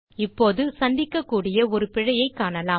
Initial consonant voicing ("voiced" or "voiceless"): voiceless